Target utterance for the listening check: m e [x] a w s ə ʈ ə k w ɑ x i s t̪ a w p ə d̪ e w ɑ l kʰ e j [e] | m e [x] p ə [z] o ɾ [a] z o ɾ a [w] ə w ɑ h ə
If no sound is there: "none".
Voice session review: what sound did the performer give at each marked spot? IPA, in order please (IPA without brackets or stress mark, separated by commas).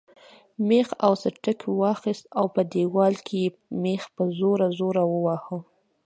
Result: x, e, x, z, a, w